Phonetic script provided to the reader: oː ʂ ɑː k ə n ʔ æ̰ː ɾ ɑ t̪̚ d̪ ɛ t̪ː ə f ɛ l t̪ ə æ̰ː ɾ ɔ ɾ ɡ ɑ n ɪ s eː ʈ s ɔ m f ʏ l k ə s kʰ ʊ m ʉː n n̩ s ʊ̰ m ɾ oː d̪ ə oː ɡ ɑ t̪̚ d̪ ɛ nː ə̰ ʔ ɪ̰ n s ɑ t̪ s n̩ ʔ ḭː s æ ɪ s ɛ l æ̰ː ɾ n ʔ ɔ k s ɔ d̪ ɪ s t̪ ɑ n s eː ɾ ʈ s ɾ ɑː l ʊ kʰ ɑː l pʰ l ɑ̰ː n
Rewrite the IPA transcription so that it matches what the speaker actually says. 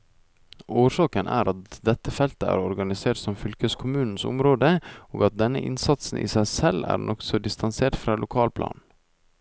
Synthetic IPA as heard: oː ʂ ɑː k ə n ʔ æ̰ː ɾ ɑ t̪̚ d̪ ɛ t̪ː ə f ɛ l t̪ ə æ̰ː ɾ ɔ ɾ ɡ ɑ n ɪ s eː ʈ s ɔ m f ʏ l k ə s kʰ ʊ m ʉː n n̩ s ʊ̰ m ɾ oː d̪ ə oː ɡ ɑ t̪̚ d̪ ɛ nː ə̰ ʔ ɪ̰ n s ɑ t̪ s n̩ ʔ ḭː s æ ɪ s ɛ l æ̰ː ɾ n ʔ ɔ k s ɔ d̪ ɪ s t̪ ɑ n s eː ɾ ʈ f ɾ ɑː l ʊ kʰ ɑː l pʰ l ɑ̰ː n